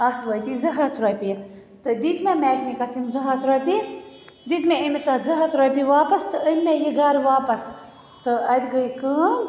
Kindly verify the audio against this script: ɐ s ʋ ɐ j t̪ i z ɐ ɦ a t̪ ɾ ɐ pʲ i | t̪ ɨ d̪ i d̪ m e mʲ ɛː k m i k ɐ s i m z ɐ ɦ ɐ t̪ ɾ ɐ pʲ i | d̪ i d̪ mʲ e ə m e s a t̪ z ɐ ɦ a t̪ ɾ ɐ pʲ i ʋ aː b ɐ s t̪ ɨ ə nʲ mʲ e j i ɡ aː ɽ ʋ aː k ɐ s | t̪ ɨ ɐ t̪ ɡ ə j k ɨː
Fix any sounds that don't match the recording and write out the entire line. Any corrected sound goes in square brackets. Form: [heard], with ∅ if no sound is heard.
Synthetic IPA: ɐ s ʋ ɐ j t̪ i z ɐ ɦ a t̪ ɾ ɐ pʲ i | t̪ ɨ d̪ i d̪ m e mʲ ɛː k m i k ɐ s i m z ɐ ɦ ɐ t̪ ɾ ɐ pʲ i | d̪ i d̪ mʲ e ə m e s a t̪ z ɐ ɦ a t̪ ɾ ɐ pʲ i ʋ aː [p] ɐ s t̪ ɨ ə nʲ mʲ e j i ɡ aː [ɾ] ʋ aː [p] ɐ s | t̪ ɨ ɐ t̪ ɡ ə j k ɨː